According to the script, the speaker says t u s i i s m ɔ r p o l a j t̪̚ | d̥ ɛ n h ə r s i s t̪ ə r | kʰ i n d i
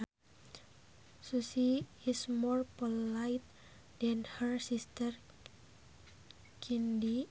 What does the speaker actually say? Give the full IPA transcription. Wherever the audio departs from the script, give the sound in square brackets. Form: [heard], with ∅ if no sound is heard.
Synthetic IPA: [s] u s i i s m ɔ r p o l a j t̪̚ | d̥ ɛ n h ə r s i s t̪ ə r | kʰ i n d i